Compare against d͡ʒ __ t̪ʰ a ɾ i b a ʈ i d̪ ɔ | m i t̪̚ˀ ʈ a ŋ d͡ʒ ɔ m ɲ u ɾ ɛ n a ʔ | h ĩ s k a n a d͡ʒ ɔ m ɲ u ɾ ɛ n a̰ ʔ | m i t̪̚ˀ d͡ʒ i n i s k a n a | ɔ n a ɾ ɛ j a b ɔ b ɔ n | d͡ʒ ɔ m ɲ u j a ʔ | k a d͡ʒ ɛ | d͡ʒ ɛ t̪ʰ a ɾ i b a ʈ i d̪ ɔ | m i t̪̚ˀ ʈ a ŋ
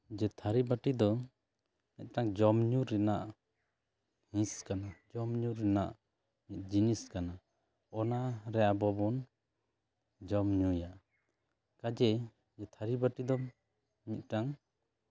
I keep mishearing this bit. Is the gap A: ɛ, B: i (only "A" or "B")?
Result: A